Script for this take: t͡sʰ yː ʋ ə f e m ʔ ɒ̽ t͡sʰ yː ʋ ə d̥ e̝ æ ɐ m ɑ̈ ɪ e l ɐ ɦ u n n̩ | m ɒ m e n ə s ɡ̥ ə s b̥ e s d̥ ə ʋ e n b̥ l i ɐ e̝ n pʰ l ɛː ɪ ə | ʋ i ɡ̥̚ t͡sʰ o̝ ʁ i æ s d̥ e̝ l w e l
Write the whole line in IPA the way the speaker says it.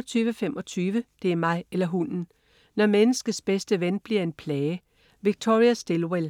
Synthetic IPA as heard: t͡sʰ yː ʋ ə f e m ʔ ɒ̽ t͡sʰ yː ʋ ə d̥ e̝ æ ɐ m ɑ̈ ɪ e l ɐ ɦ u n n̩ | n ɒ m e n ə s ɡ̥ ə s b̥ e s d̥ ə ʋ e n b̥ l i ɐ e̝ n pʰ l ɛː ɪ ə | ʋ i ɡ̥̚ t͡sʰ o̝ ʁ i æ s d̥ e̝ l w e l

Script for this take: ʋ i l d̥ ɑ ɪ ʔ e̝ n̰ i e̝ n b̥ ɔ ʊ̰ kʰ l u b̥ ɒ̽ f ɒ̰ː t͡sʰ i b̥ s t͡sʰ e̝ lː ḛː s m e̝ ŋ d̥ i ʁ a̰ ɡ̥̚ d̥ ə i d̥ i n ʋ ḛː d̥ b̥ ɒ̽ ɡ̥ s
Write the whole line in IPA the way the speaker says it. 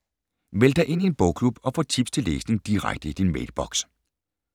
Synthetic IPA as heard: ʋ e l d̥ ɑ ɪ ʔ e̝ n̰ i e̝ n b̥ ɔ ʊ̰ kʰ l u b̥ ɒ̽ f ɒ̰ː t͡sʰ i b̥ s t͡sʰ e̝ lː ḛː s n e̝ ŋ d̥ i ʁ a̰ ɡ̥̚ d̥ ə i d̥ i n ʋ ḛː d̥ b̥ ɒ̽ ɡ̥ s

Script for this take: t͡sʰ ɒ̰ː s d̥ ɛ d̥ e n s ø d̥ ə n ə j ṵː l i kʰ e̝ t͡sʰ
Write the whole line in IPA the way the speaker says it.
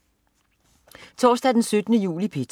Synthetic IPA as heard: t͡sʰ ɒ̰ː s d̥ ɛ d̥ e n s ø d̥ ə n ə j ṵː l i pʰ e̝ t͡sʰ

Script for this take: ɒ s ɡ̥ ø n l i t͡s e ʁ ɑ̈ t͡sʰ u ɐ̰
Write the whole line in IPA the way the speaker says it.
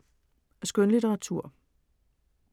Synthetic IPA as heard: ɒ s ɡ̥ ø n l i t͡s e ʁ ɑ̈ t͡sʰ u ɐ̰

